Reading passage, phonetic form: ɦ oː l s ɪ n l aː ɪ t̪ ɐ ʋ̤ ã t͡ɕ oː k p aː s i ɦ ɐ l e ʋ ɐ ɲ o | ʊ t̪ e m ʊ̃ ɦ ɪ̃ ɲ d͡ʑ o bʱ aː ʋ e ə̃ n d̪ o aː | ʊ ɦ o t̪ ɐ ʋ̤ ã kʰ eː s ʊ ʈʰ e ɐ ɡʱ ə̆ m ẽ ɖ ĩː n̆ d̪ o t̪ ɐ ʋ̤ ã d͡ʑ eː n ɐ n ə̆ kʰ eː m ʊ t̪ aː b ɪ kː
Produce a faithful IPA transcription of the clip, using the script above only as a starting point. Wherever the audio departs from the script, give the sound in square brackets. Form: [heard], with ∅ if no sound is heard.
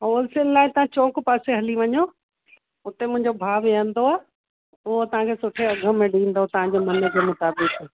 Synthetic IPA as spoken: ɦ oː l s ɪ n l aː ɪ t̪ ɐ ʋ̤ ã t͡ɕ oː k p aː s [e] ɦ ɐ l [i] ʋ ɐ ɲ o | ʊ t̪ e m ʊ̃ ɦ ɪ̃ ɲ d͡ʑ o bʱ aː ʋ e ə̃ n d̪ o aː | ʊ ɦ o t̪ ɐ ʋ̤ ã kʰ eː s ʊ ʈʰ e ɐ ɡʱ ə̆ m ẽ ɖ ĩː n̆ d̪ o t̪ ɐ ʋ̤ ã d͡ʑ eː [m] ɐ n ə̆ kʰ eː m ʊ t̪ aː b ɪ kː